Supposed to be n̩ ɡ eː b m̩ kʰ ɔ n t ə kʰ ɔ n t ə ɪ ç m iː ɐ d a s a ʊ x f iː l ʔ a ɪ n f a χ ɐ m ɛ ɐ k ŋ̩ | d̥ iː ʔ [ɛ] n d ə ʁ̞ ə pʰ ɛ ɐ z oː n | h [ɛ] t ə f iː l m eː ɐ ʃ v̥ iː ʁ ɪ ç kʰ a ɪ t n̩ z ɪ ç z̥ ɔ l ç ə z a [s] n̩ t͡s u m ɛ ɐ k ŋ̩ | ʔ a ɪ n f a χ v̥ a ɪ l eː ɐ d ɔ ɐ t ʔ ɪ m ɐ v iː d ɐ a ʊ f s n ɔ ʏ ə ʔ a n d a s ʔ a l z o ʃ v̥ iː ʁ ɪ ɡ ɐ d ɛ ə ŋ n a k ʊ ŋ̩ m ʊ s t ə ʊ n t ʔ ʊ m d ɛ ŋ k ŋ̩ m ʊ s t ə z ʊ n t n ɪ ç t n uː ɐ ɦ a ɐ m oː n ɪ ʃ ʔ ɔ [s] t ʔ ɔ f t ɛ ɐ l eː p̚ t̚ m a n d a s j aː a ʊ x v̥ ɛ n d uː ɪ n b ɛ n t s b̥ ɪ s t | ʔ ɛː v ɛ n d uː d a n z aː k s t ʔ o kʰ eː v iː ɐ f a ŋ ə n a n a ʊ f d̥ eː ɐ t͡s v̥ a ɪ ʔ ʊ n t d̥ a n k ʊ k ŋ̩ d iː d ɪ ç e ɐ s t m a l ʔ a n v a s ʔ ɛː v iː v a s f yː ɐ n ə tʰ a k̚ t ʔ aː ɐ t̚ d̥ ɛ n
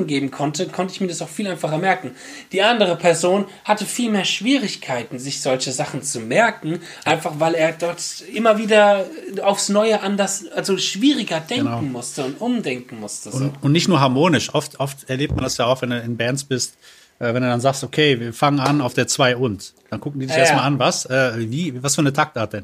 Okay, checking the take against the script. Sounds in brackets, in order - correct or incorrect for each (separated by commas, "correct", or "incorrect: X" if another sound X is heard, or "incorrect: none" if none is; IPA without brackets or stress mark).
incorrect: a, incorrect: a, incorrect: χ, incorrect: f